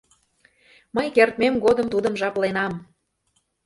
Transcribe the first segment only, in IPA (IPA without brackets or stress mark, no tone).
m